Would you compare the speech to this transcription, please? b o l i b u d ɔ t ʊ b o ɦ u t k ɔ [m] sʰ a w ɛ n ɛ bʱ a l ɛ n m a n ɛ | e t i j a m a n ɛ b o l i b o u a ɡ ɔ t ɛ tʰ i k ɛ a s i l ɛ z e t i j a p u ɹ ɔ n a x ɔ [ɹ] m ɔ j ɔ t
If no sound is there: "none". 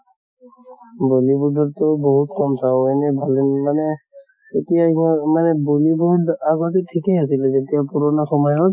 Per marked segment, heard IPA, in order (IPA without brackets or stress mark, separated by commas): m, none